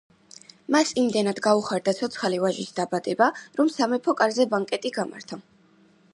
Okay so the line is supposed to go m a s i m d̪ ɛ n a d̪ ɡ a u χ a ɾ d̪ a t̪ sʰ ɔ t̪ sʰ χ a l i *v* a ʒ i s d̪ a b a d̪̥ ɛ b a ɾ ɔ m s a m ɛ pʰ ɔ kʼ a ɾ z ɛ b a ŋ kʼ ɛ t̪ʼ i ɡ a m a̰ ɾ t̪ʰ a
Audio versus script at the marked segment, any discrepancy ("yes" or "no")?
no